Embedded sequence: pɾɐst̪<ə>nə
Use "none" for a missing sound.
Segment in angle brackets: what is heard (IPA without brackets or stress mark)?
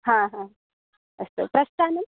a